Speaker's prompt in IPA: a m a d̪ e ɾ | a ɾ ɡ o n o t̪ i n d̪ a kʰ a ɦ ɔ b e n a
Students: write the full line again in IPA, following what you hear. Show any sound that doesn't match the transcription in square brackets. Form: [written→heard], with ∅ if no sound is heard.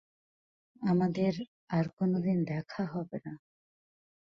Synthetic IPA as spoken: a m a d̪ e ɾ | a ɾ [ɡ→k] o n o [t̪→d̪] i n d̪ [a→ɛ] kʰ a ɦ ɔ b e n a